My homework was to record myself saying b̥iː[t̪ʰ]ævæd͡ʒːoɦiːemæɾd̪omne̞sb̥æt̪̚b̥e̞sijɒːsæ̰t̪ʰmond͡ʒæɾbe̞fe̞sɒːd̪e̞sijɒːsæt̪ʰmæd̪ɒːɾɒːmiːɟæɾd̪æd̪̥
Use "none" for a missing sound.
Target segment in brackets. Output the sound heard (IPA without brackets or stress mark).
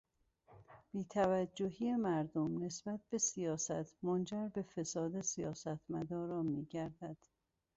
t̪ʰ